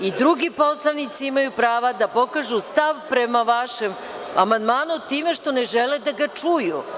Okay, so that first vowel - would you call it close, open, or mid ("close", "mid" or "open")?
close